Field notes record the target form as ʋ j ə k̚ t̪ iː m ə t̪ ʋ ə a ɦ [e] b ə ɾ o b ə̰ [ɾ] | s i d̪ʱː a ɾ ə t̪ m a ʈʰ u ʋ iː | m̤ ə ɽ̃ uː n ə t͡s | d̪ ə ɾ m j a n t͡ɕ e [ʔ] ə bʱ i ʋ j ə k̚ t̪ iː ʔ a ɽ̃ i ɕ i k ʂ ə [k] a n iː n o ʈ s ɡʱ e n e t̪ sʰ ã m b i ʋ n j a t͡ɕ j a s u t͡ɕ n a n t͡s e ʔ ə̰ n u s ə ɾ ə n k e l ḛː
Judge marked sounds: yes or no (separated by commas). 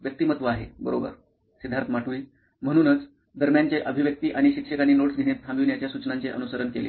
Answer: yes, yes, yes, yes